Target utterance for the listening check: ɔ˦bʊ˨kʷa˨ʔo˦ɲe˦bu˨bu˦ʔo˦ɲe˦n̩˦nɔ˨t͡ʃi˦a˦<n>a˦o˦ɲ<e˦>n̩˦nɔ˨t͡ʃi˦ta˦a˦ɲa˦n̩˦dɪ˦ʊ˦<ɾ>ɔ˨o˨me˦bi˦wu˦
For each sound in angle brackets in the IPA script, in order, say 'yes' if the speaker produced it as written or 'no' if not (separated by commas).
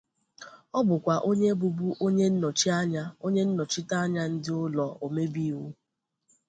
no, yes, no